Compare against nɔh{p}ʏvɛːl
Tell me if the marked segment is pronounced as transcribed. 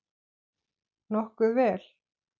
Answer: no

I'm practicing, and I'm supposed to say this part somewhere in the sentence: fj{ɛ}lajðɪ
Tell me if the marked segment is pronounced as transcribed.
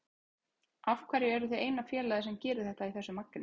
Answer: no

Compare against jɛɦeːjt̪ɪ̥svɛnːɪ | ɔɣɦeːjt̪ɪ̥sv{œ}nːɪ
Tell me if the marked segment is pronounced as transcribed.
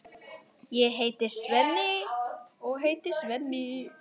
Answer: no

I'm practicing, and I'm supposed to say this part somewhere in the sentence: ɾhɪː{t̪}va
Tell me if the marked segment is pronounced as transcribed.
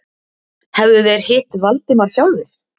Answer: yes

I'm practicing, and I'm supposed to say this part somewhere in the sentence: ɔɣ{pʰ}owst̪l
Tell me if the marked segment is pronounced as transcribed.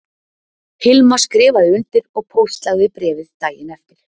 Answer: yes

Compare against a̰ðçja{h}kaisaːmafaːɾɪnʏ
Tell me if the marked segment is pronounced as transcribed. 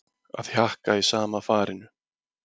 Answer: yes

